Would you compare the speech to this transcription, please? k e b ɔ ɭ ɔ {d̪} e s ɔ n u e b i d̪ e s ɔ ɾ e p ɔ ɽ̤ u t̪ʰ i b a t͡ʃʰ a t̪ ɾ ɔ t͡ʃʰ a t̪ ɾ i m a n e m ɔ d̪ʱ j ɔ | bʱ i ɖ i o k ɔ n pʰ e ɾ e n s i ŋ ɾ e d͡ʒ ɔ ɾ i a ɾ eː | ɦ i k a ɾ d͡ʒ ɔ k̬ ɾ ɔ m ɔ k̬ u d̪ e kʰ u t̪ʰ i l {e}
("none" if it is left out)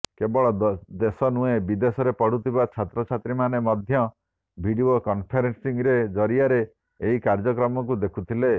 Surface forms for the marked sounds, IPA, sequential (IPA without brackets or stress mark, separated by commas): d̪, e